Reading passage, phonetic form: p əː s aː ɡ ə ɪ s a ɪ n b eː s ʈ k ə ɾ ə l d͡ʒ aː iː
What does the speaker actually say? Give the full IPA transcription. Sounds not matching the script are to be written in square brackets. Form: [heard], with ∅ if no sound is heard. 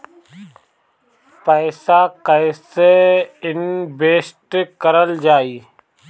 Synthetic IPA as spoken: p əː s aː [k] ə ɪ s [e] ɪ n b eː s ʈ k ə ɾ ə l d͡ʒ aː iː